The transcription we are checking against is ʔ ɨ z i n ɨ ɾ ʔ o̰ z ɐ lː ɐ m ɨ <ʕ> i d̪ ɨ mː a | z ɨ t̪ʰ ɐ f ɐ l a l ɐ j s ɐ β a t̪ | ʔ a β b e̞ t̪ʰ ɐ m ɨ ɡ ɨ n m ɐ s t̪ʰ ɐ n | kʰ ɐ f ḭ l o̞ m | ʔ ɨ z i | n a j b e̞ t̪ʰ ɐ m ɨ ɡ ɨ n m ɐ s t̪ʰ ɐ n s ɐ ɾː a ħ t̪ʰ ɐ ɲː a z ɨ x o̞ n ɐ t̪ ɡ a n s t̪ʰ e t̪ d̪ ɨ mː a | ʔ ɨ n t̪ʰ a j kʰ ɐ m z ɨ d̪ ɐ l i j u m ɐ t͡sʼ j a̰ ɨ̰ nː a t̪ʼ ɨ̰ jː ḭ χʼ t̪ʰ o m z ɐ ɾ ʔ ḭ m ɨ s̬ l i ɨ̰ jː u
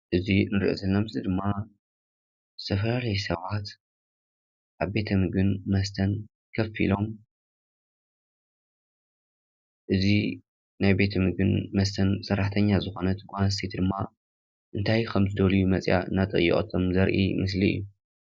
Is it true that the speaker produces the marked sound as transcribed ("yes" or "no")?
no